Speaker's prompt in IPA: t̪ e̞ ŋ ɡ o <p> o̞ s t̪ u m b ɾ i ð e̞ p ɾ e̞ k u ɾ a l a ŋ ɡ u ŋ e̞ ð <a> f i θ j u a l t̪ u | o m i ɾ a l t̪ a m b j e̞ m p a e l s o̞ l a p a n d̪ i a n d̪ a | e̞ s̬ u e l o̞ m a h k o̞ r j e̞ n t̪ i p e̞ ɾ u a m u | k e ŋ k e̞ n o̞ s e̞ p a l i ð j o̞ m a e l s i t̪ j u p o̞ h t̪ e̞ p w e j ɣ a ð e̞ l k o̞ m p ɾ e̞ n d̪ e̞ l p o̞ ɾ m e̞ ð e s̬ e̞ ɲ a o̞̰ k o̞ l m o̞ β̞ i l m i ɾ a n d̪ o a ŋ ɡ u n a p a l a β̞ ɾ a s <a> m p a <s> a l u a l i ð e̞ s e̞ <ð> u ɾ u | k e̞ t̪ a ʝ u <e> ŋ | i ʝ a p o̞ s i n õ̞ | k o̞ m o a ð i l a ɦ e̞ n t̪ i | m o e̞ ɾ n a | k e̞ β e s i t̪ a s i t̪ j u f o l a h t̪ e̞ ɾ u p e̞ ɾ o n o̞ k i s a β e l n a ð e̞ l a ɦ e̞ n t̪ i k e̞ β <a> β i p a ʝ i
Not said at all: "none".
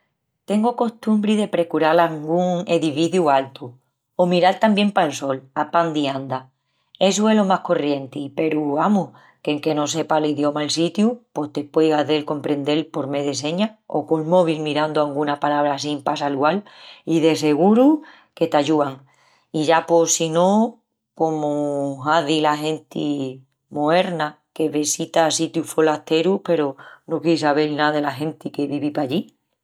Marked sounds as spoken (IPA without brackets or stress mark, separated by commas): k, i, i, s, ɣ, a, i